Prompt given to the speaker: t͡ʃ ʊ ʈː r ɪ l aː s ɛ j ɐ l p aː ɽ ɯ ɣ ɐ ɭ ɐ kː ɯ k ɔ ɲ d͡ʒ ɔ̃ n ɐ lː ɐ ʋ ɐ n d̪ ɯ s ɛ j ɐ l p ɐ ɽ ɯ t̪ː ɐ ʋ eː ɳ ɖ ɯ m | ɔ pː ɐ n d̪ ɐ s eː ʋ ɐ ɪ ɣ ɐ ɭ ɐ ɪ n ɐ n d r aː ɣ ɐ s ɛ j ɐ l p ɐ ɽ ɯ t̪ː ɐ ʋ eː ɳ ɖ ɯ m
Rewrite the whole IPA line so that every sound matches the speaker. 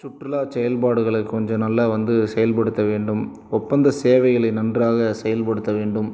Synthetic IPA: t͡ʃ ʊ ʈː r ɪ l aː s ɛ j ɐ l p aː ɽ ɯ ɣ ɐ ɭ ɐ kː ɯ k ɔ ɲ d͡ʒ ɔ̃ n ɐ lː ɐ ʋ ɐ n d̪ ɯ s ɛ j ɐ l p ɐ ɽ ɯ t̪ː ɐ ʋ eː ɳ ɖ ɯ m | ɔ pː ɐ n d̪ ɐ s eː ʋ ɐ ɪ ɣ ɐ ɭ ɐ ɪ n ɐ n d r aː ɣ ɐ s ɛ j ɐ l p ɐ ɽ ɯ t̪ː ɐ ʋ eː ɳ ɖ ɯ m

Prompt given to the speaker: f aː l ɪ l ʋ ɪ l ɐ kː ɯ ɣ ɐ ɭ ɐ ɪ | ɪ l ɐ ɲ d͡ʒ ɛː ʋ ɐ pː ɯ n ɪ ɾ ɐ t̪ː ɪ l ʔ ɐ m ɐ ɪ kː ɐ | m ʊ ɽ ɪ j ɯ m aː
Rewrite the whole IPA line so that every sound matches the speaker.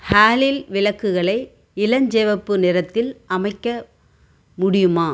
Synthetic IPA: h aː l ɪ l ʋ ɪ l ɐ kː ɯ ɣ ɐ ɭ ɐ ɪ | ɪ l ɐ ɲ d͡ʒ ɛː ʋ ɐ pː ɯ n ɪ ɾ ɐ t̪ː ɪ l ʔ ɐ m ɐ ɪ kː ɐ | m ʊ ɽ ɪ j ɯ m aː

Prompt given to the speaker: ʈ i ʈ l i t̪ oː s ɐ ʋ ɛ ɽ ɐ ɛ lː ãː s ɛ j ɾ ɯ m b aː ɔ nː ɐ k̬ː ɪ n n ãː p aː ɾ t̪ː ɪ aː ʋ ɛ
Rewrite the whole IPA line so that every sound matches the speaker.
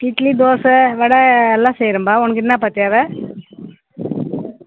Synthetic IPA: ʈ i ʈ l i d̪ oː s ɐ ʋ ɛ ɽ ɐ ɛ lː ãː s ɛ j ɾ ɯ m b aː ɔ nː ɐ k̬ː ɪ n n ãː p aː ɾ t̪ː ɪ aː ʋ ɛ

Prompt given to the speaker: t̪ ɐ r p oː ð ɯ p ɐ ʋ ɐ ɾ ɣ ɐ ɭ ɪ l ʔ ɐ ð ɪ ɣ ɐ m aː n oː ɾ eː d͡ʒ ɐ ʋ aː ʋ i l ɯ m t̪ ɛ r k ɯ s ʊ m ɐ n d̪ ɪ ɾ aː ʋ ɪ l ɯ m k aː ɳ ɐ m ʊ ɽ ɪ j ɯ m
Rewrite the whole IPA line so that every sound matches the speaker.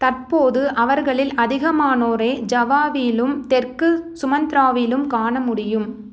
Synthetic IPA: t̪ ɐ r p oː ð ɯ ʔ ɐ ʋ ɐ ɾ ɣ ɐ ɭ ɪ l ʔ ɐ ð ɪ ɣ ɐ m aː n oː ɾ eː d͡ʒ ɐ ʋ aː ʋ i l ɯ m t̪ ɛ r k ɯ s ʊ m ɐ n d̪ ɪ ɾ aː ʋ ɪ l ɯ m k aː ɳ ɐ m ʊ ɽ ɪ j ɯ m

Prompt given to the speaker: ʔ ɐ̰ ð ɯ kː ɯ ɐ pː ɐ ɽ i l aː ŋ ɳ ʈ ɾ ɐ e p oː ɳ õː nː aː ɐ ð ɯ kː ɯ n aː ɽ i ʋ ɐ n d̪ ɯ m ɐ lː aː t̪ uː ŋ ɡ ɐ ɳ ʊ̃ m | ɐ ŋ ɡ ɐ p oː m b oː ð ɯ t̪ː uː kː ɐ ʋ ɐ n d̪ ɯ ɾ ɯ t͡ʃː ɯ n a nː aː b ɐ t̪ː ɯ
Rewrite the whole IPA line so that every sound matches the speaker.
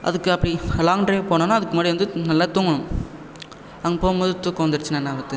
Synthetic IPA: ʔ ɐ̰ ð ɯ kː ɯ ɐ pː ɐ ɽ i l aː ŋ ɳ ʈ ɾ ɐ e p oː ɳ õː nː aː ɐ ð ɯ kː ɯ m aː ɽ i ʋ ɐ n d̪ ɯ n ɐ lː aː t̪ uː ŋ ɡ ɐ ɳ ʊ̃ m | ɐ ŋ ɡ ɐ p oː m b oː ð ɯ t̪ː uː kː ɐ ʋ ɐ n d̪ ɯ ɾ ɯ t͡ʃː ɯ n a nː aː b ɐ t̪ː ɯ

